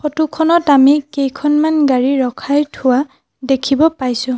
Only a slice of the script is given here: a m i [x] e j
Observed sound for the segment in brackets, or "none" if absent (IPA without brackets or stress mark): k